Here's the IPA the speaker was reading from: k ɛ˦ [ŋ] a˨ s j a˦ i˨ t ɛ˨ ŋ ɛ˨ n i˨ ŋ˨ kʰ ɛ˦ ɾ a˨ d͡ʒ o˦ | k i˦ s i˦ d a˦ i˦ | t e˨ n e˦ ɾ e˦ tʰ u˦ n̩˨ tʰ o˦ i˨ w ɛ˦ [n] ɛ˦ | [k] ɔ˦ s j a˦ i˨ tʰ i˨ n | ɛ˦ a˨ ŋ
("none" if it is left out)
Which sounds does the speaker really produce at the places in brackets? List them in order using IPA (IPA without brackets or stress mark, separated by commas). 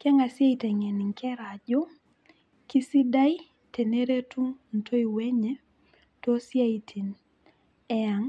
ŋ, ɲ, t